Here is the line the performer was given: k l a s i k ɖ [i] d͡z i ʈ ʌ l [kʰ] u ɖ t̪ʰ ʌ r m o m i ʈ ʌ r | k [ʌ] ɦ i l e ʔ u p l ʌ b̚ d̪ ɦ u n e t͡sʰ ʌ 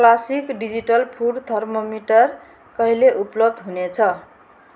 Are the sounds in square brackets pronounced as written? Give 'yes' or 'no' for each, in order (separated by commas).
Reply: yes, no, yes